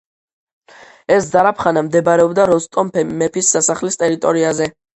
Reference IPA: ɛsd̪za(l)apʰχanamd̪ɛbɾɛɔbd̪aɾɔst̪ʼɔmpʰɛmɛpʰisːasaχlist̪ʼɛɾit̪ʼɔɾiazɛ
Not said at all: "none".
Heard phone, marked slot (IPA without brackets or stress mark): ɾ